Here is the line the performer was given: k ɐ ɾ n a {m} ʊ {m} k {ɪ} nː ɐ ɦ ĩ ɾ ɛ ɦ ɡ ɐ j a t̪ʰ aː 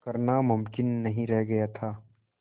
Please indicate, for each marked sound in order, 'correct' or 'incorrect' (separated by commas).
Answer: correct, correct, correct